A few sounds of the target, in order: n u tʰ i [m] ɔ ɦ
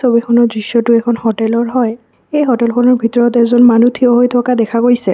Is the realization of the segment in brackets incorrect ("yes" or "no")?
yes